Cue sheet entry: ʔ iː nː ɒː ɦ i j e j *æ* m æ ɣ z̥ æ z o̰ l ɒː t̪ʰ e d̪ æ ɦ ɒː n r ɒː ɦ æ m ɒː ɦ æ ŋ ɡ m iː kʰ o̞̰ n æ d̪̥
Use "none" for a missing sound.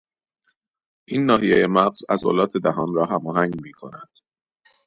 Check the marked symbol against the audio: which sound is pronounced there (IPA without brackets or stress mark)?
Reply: e